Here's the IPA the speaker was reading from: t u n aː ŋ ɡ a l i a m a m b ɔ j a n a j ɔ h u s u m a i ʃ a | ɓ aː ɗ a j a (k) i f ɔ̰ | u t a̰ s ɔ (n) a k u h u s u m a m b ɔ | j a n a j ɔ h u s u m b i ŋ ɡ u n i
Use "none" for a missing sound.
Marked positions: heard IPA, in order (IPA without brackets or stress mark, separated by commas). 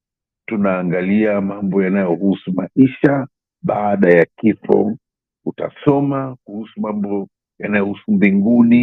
k, m